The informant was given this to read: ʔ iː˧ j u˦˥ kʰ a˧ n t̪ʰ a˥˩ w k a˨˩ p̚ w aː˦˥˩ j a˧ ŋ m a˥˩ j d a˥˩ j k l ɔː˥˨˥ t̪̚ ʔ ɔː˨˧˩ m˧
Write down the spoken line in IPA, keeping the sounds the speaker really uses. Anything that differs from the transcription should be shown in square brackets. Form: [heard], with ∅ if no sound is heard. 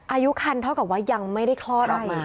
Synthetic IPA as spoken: ʔ [aː˧] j u˦˥ kʰ a˧ n t̪ʰ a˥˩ w k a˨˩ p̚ w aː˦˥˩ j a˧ ŋ m a˥˩ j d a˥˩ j [kʰ] l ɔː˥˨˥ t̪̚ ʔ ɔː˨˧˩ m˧